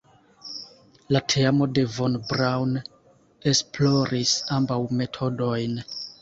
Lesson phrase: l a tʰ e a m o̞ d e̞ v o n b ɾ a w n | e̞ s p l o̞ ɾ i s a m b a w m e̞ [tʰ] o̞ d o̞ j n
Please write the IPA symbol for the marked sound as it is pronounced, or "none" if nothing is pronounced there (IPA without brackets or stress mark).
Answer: tʰ